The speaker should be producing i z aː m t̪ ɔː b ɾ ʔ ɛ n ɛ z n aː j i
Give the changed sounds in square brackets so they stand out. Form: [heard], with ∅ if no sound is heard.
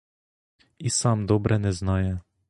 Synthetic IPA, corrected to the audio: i [s] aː m [d̪] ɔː b ɾ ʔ ɛ n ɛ z n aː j [ɛ]